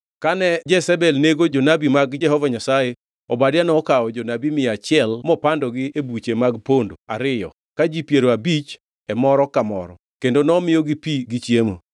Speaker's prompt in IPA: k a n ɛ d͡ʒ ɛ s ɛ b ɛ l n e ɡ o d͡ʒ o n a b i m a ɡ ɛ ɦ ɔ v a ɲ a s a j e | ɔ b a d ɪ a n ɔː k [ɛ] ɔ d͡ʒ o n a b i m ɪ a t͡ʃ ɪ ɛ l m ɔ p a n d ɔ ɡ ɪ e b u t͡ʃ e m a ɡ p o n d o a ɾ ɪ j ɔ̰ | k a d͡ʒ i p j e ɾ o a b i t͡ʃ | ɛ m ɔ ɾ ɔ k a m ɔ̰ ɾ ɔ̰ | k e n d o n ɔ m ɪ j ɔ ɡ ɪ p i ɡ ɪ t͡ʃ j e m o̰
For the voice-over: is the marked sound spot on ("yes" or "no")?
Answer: no